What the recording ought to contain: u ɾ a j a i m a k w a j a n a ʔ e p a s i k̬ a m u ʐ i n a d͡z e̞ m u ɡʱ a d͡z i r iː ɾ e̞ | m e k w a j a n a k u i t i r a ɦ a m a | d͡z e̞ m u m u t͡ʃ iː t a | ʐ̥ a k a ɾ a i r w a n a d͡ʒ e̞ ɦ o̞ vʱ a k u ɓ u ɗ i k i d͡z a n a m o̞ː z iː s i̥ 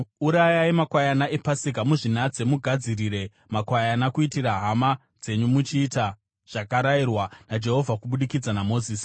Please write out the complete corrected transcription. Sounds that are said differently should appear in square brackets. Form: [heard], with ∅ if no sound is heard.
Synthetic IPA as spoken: u ɾ a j a i m a k w a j a n a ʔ e p a s i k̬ a m u ʐ i n a d͡z e̞ m u ɡʱ a d͡z i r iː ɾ e̞ | m [a] k w a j a n a k u i t i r a ɦ a m a | d͡z e̞ [ɲ] u m u t͡ʃ iː t a | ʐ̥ a k a ɾ a i r w a n a d͡ʒ e̞ ɦ o̞ vʱ a k u ɓ u ɗ i k i d͡z a n a m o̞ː z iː s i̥